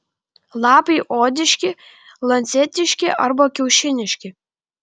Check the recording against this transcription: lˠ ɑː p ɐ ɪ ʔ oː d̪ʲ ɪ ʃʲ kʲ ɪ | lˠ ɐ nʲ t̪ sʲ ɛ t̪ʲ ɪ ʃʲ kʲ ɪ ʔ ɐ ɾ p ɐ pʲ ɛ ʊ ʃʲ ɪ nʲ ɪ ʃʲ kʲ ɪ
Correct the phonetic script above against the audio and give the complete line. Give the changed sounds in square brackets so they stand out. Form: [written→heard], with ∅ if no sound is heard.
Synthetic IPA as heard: lˠ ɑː p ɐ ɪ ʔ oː d̪ʲ ɪ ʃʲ kʲ ɪ | lˠ ɐ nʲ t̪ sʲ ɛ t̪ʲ ɪ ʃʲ kʲ ɪ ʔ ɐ ɾ [p→b] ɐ [pʲ→kʲ] ɛ ʊ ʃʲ ɪ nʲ ɪ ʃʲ kʲ ɪ